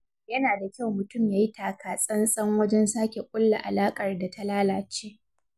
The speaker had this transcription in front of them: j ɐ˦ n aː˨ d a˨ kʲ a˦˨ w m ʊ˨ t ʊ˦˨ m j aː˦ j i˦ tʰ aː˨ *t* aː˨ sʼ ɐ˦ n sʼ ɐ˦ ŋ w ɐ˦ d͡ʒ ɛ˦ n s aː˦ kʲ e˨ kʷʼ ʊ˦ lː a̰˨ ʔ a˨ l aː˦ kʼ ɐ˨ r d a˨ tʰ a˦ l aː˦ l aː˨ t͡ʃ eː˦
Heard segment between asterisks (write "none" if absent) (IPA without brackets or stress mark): k